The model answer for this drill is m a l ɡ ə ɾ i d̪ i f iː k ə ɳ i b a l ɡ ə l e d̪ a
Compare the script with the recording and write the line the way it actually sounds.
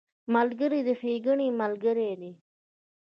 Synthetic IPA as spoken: m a l ɡ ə ɾ i d̪ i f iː ɡ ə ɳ i m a l ɡ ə ɾ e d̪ i